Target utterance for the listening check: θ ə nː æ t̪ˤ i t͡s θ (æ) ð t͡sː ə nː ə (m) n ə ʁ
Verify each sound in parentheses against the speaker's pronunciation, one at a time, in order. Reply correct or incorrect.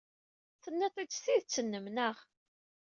incorrect: i, correct

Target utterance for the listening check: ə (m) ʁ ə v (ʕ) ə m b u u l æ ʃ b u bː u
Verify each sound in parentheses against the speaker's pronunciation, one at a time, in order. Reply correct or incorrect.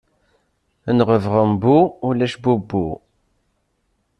incorrect: n, incorrect: ʁ

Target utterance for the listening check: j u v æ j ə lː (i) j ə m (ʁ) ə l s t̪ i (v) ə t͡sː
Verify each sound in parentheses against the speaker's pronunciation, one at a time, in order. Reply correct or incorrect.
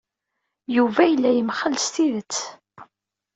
incorrect: æ, incorrect: χ, incorrect: ð

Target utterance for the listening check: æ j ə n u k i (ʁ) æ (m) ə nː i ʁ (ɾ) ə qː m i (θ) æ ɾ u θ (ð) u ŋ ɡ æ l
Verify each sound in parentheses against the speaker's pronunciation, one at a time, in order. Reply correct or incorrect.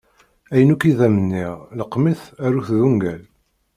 incorrect: ð, correct, incorrect: l, correct, correct

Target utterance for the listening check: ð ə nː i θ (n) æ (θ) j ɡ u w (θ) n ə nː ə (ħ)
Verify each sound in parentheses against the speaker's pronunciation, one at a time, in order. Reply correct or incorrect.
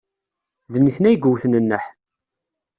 correct, incorrect: none, correct, correct

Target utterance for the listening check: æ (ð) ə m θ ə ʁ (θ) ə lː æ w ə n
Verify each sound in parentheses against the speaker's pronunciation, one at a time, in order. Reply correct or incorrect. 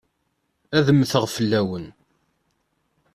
correct, incorrect: f

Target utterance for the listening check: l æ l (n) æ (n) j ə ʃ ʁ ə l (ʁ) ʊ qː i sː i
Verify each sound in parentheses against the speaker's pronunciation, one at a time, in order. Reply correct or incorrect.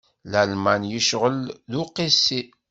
incorrect: m, correct, incorrect: ð

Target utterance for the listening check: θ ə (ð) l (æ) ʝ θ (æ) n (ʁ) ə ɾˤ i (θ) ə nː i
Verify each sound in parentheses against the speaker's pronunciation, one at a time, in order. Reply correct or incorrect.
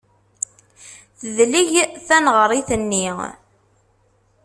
correct, incorrect: i, correct, correct, correct

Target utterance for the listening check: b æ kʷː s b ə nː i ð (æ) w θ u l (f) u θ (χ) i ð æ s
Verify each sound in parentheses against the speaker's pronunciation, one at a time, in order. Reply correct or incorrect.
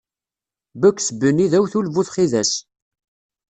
correct, incorrect: v, correct

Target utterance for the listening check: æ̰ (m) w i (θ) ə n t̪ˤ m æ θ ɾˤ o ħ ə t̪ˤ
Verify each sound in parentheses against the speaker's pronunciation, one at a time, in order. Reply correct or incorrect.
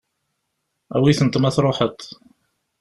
incorrect: none, correct

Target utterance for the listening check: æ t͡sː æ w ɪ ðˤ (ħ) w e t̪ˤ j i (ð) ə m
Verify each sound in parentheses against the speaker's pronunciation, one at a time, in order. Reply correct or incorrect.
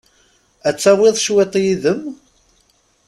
incorrect: ʃ, correct

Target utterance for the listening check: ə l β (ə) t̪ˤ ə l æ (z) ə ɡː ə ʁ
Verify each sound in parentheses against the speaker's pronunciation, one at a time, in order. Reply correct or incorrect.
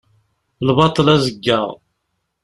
incorrect: ɑ, correct

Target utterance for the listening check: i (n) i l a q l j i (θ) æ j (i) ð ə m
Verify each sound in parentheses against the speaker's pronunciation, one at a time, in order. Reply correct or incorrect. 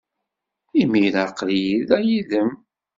incorrect: m, incorrect: ð, correct

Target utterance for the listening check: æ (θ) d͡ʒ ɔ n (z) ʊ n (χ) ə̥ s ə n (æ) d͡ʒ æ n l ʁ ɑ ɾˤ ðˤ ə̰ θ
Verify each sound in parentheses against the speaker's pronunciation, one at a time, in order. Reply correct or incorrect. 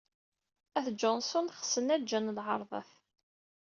correct, incorrect: s, correct, correct

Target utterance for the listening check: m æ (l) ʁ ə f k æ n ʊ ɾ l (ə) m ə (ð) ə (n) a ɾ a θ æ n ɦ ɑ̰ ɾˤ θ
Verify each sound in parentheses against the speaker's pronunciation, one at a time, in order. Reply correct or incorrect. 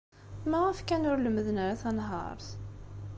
incorrect: none, correct, correct, correct

